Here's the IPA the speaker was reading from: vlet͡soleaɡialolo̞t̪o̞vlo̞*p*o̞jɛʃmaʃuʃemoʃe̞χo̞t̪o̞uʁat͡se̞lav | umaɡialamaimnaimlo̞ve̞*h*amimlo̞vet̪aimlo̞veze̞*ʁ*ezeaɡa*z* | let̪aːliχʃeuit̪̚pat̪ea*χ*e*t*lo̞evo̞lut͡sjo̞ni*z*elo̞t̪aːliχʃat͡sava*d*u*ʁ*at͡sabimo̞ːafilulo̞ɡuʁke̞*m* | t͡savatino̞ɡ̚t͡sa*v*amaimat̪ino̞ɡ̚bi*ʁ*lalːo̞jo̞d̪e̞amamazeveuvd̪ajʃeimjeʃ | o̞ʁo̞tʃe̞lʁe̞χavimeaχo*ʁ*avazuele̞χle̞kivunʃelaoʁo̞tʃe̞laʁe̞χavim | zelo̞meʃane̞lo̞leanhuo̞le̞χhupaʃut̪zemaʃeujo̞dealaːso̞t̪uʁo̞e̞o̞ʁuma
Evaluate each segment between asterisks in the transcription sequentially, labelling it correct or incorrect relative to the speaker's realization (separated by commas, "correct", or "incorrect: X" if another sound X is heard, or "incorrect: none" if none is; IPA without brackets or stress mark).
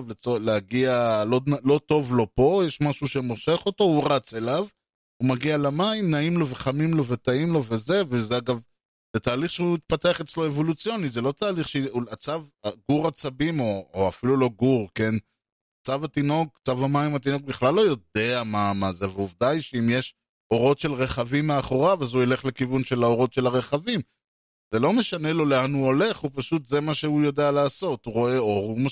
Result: correct, incorrect: χ, incorrect: v, incorrect: v, correct, incorrect: t͡s, correct, incorrect: ɡ, correct, incorrect: n, correct, incorrect: χ, correct